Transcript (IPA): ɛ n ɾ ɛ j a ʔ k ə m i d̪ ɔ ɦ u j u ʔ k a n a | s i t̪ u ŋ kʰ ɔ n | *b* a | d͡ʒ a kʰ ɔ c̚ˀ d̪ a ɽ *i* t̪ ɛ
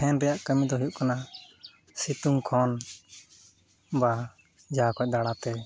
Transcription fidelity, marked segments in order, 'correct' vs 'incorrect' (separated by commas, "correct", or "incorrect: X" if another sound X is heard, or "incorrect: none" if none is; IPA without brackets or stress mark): correct, incorrect: a